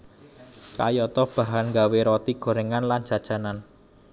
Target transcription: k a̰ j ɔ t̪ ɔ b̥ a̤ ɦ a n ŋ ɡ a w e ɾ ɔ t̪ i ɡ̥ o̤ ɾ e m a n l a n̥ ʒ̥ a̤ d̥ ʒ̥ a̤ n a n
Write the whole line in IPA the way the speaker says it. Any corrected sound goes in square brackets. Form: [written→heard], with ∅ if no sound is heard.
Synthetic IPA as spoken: k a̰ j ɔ t̪ ɔ b̥ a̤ ɦ a n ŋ ɡ a w e ɾ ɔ t̪ i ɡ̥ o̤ ɾ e [m→ŋ] a n l a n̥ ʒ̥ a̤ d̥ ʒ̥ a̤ n a n